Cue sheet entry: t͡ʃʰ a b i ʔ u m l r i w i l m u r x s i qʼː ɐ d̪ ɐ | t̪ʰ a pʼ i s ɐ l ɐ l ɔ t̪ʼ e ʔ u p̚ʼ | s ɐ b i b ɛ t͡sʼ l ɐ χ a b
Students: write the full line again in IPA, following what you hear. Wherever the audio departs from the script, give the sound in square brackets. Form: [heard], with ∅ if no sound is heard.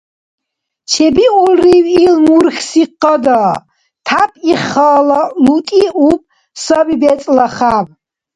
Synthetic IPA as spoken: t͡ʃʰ [ɛ] b i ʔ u [∅] l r i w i l m u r x s i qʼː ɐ d̪ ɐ | t̪ʰ a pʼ i [χ] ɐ l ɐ l [u] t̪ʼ [i] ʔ u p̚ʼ | s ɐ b i b ɛ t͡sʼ l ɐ χ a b